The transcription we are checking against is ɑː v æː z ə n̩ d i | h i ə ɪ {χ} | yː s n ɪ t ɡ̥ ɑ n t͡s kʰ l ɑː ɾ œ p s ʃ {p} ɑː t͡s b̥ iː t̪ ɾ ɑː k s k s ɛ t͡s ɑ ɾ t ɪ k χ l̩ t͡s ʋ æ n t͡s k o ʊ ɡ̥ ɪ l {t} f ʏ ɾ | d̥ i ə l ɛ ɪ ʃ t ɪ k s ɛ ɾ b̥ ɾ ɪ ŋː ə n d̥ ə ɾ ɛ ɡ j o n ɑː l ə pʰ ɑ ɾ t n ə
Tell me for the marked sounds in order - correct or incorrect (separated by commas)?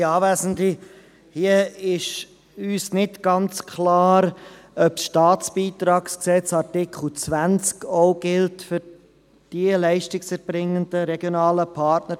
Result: incorrect, incorrect, correct